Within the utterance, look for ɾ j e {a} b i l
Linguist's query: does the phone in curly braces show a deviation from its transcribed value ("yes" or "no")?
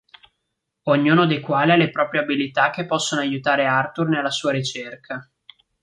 no